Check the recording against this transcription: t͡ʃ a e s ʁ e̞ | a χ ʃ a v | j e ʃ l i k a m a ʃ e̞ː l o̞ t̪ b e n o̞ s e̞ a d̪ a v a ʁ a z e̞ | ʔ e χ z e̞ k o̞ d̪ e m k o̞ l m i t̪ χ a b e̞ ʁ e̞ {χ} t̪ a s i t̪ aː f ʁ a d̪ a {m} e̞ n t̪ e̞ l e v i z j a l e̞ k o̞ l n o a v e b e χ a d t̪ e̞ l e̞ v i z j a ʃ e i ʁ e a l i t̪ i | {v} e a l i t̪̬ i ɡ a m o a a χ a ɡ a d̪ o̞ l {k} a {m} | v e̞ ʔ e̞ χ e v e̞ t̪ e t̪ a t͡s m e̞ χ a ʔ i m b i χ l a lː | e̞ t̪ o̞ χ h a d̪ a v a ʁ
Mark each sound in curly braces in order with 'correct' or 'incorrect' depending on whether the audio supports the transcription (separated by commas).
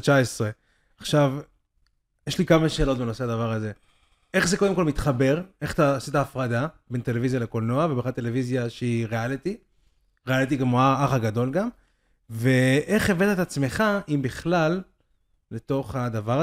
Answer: correct, incorrect, incorrect, incorrect, correct